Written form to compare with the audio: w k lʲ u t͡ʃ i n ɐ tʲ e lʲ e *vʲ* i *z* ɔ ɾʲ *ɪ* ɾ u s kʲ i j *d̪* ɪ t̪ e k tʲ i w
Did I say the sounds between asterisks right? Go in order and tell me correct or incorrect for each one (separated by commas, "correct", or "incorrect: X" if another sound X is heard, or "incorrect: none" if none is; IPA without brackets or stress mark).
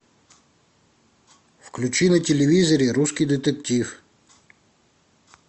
incorrect: ʋʲ, correct, incorrect: i, correct